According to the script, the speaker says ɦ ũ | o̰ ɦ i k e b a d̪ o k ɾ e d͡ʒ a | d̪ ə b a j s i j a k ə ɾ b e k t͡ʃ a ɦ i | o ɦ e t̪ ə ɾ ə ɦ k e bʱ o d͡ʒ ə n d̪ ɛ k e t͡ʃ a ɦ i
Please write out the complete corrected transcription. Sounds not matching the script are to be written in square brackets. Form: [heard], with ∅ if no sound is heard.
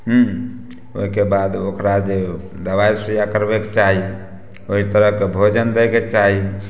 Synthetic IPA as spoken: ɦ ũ | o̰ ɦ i k e b a d̪ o k ɾ [a] d͡ʒ [e] | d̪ ə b a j s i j a k ə ɾ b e k t͡ʃ a ɦ i | o ɦ [i] t̪ ə ɾ ə ɦ k e bʱ o d͡ʒ ə n d̪ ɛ k e t͡ʃ a ɦ i

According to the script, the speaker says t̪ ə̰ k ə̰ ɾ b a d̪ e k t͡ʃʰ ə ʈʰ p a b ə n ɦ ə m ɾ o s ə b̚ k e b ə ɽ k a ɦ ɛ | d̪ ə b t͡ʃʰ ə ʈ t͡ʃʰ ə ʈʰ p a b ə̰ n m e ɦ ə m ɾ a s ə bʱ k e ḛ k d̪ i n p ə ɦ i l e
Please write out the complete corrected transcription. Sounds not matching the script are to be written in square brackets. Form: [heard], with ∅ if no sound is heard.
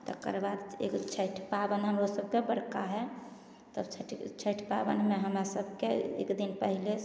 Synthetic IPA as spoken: t̪ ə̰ k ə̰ ɾ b a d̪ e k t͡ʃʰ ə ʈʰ p a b ə n ɦ ə m ɾ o s ə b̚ k e b ə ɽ k a ɦ ɛ | [t̪] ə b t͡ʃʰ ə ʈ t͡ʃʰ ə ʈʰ p a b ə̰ n m e ɦ ə m ɾ a s ə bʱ k e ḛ k d̪ i n p ə ɦ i l e

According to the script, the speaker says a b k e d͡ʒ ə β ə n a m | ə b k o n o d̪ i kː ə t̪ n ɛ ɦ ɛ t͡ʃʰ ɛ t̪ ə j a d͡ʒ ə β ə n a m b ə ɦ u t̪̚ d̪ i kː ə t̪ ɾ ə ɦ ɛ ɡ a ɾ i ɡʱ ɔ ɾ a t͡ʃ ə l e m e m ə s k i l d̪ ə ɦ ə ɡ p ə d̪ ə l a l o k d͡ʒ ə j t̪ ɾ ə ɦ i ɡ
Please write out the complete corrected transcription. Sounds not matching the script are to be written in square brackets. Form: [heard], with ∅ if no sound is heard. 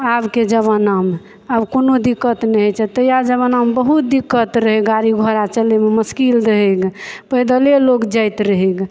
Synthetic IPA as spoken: a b k e d͡ʒ ə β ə n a m | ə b k o n o d̪ i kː ə t̪ n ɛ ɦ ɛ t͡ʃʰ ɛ t̪ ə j a d͡ʒ ə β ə n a m b ə ɦ u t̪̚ d̪ i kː ə t̪ ɾ ə ɦ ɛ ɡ a ɾ i ɡʱ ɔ ɾ a t͡ʃ ə l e m e m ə s k i l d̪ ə ɦ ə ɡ p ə d̪ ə l [e] l o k d͡ʒ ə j t̪ ɾ ə ɦ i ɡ

